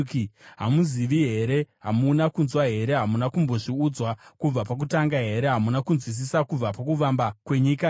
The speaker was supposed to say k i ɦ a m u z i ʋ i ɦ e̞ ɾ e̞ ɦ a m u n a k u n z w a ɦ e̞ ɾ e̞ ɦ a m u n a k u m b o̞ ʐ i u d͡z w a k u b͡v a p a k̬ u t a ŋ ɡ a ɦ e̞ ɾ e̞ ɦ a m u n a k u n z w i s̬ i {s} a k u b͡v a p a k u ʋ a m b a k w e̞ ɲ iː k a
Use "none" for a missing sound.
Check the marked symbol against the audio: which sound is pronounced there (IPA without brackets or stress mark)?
s